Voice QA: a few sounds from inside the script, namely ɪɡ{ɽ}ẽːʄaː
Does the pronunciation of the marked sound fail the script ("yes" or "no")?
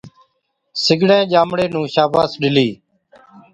no